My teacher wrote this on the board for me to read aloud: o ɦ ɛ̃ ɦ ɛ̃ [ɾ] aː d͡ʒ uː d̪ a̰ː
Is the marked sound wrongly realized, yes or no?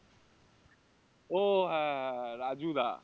no